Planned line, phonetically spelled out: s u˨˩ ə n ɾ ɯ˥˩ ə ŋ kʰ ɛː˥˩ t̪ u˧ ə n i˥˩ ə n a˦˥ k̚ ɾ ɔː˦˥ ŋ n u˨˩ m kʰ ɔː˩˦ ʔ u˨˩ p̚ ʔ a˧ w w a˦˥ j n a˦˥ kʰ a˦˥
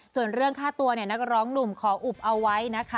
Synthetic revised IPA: s u˨˩ ə n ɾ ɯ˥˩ ə ŋ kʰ aː˥˩ t̪ u˧ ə n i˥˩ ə n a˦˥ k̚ ɾ ɔː˦˥ ŋ n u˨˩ m kʰ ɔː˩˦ ʔ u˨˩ p̚ ʔ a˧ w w a˦˥ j n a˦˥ kʰ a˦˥